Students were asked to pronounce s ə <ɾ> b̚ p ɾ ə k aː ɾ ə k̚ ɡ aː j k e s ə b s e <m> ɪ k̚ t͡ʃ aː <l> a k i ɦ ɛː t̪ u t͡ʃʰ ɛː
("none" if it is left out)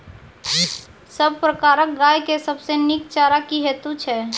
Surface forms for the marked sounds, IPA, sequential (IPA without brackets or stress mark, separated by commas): none, n, ɾ